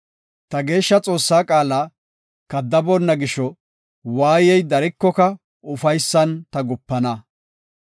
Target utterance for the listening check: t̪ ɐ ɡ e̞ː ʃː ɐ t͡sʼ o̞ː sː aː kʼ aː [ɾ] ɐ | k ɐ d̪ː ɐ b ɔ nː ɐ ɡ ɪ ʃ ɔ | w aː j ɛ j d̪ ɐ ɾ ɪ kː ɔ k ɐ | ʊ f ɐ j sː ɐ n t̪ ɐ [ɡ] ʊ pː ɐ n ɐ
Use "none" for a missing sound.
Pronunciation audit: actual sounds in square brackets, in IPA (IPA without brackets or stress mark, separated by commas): l, ɡ